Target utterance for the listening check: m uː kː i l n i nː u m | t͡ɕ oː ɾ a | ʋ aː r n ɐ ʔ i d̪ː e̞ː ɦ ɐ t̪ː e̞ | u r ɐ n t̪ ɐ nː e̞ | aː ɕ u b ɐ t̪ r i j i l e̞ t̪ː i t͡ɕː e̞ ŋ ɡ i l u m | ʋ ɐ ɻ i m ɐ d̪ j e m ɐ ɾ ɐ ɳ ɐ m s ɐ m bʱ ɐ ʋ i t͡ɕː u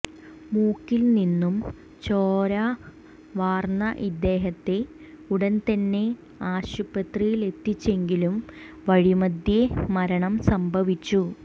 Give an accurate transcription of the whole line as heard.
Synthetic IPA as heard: m uː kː i l n i nː u m | t͡ɕ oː ɾ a | ʋ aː r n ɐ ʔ i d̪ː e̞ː ɦ ɐ t̪ː e̞ | u ɽ ɐ n t̪ ɐ nː e̞ | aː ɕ u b ɐ t̪ r i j i l e̞ t̪ː i t͡ɕː e̞ ŋ ɡ i l u m | ʋ ɐ ɻ i m ɐ d̪ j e m ɐ ɾ ɐ ɳ ɐ m s ɐ m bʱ ɐ ʋ i t͡ɕː u